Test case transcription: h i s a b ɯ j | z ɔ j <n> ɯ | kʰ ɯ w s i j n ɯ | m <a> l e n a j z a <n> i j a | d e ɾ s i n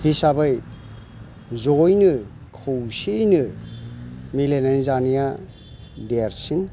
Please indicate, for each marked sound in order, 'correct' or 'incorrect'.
correct, incorrect: i, correct

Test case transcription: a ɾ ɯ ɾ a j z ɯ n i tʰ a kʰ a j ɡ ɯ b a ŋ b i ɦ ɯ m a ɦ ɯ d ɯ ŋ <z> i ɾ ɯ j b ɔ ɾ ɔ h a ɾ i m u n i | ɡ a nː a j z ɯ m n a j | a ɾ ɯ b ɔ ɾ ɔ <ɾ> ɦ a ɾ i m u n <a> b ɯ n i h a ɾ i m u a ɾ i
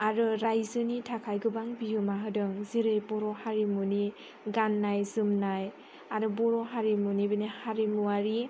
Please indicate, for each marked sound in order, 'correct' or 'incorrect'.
correct, incorrect: none, incorrect: i

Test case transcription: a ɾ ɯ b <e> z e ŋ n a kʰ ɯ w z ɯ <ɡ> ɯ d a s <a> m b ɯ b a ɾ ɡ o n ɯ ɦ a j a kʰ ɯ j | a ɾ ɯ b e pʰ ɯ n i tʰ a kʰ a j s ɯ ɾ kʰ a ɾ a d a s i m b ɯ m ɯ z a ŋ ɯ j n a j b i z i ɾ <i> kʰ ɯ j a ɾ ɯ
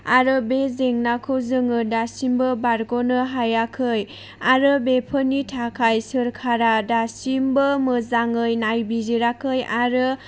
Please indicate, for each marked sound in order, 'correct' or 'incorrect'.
correct, incorrect: ŋ, incorrect: i, incorrect: a

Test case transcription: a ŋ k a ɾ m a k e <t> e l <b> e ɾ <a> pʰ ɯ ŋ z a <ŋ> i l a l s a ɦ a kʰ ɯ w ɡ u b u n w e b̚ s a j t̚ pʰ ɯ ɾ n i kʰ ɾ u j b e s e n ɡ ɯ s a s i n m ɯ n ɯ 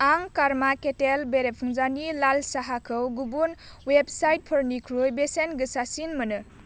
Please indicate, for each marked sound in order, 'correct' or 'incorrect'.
correct, correct, incorrect: e, incorrect: n

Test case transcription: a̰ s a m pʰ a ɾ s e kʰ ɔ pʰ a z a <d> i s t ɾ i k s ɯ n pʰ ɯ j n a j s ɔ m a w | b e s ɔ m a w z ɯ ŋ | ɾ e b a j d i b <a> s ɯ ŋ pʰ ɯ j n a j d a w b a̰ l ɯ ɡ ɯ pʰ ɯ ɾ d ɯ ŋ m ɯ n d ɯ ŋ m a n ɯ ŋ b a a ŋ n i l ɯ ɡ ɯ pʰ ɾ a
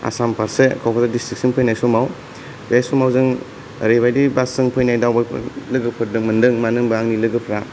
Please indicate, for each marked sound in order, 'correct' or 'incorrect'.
correct, correct

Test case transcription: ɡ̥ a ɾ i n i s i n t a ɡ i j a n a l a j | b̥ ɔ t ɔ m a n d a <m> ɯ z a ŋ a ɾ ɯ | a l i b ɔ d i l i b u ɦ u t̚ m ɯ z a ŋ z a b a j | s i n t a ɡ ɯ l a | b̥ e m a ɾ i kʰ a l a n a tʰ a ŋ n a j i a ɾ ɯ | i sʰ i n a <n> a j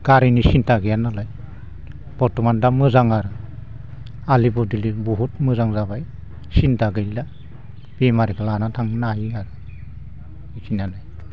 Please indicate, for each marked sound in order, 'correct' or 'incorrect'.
correct, correct

